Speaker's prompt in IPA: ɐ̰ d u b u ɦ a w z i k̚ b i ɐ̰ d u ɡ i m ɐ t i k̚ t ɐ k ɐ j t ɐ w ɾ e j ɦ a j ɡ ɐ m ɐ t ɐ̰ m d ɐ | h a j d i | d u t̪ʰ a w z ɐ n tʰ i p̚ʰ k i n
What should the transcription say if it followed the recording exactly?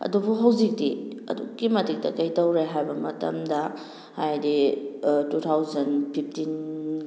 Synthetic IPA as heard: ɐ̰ d u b u ɦ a w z i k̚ d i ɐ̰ d u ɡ i m ɐ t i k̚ t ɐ k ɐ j t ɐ w ɾ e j ɦ a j b ɐ m ɐ t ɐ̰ m d ɐ | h a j d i | t u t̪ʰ a w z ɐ n pʰ i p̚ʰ t i n